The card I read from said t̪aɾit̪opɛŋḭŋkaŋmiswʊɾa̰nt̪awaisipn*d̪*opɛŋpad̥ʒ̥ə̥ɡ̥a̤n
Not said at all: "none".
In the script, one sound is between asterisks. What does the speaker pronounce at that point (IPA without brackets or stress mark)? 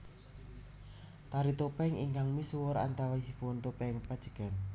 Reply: t̪